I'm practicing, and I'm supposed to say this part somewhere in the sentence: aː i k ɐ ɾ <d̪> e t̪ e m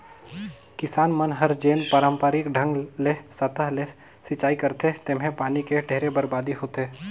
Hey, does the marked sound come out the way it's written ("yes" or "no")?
no